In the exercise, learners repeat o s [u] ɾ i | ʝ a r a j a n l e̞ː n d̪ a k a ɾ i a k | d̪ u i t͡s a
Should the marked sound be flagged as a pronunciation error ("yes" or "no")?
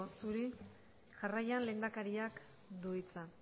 no